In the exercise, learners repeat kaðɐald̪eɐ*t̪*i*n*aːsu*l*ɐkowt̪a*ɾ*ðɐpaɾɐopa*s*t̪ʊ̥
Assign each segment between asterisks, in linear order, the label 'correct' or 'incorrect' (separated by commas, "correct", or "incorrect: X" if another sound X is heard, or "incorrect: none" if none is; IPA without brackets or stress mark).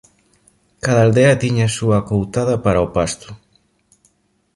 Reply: correct, incorrect: ɲ, incorrect: none, incorrect: none, correct